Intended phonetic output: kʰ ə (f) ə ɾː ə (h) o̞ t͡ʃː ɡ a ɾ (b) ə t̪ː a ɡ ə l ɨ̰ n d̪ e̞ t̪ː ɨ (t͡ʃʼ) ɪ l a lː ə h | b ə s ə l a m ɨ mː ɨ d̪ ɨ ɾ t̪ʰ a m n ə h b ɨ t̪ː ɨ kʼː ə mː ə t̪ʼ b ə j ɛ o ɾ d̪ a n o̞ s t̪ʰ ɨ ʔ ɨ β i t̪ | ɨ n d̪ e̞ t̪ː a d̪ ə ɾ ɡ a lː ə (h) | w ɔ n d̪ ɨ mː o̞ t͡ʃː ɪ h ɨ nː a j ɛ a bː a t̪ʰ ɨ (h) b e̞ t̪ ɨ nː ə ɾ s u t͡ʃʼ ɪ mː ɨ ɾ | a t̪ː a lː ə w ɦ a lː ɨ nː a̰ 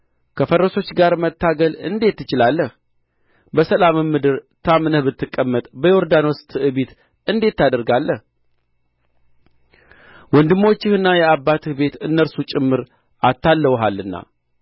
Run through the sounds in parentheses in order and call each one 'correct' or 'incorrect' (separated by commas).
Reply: correct, incorrect, incorrect, incorrect, correct, correct